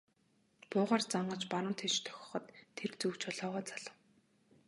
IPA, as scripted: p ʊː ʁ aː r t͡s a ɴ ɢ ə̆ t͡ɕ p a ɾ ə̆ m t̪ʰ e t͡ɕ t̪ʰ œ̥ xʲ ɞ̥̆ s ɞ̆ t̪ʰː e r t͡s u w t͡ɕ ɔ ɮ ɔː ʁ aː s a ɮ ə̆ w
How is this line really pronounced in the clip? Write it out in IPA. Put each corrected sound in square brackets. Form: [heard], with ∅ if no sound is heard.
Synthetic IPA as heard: p ʊː ʁ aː r t͡s a ɴ ɢ ə̆ t͡ɕ p a ɾ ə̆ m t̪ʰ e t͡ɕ t̪ʰ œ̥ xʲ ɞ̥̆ [χ] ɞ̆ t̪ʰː e r t͡s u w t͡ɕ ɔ ɮ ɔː ʁ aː [t͡s] a ɮ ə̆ w